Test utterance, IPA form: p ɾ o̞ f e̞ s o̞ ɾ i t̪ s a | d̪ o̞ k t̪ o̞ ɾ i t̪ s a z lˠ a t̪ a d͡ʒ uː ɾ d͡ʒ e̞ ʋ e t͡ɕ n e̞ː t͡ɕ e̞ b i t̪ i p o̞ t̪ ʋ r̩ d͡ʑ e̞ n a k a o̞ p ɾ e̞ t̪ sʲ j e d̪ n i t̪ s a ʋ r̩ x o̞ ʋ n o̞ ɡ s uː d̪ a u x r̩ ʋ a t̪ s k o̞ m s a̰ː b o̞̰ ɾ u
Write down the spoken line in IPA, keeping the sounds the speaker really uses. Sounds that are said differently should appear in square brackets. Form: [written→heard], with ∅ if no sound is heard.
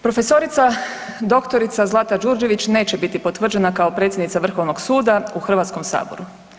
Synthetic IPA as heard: p ɾ o̞ f e̞ s o̞ ɾ i t̪ s a | d̪ o̞ k t̪ o̞ ɾ i t̪ s a z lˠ a t̪ a d͡ʒ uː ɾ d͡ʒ e̞ ʋ [e→i] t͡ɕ n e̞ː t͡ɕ e̞ b i t̪ i p o̞ t̪ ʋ r̩ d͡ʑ e̞ n a k a o̞ p ɾ e̞ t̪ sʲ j e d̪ n i t̪ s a ʋ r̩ x o̞ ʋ n o̞ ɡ s uː d̪ a u x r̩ ʋ a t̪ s k o̞ m s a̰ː b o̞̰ ɾ u

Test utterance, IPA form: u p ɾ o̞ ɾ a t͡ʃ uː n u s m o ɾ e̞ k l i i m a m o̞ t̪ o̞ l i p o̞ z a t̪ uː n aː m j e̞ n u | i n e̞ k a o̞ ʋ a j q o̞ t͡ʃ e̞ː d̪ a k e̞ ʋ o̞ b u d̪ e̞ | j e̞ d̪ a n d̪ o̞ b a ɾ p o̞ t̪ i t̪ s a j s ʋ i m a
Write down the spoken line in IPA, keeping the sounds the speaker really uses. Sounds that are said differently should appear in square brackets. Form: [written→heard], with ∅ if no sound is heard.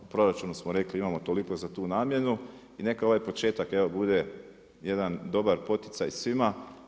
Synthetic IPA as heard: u p ɾ o̞ ɾ a t͡ʃ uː n u s m o ɾ e̞ k l i i m a m o̞ t̪ o̞ l i [p→k] o̞ z a t̪ uː n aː m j e̞ n u | i n e̞ k a o̞ ʋ a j [q→p] o̞ t͡ʃ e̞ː [d̪→t̪] a k e̞ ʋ o̞ b u d̪ e̞ | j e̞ d̪ a n d̪ o̞ b a ɾ p o̞ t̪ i t̪ s a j s ʋ i m a

